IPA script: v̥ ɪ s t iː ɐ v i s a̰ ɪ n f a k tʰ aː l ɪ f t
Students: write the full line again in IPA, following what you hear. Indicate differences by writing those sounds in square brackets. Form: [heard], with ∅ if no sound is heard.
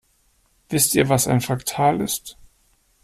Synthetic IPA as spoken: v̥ ɪ s t iː ɐ v [a] s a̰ ɪ n f a k tʰ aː l ɪ [s] t